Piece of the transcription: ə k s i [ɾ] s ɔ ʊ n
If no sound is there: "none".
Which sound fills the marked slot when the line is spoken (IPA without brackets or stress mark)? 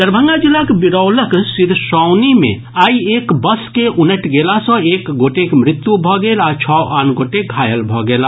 ɾ